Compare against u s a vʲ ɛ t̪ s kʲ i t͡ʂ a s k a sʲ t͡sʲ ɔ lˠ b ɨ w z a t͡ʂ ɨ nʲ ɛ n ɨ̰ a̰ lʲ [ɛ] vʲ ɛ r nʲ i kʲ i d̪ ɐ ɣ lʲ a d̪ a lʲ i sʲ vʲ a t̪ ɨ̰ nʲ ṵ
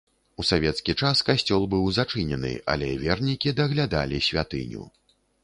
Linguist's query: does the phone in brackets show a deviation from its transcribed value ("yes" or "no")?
no